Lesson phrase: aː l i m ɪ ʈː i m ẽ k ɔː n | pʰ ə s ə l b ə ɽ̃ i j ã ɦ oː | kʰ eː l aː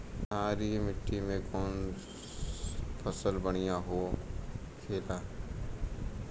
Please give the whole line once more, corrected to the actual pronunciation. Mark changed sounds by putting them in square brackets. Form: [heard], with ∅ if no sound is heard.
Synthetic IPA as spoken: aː [ɾ] i m ɪ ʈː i m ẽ k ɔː n | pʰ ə s ə l b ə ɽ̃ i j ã ɦ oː | kʰ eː l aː